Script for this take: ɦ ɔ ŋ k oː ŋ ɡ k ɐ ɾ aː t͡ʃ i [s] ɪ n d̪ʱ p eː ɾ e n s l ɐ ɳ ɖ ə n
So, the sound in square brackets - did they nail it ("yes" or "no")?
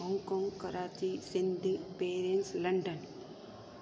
yes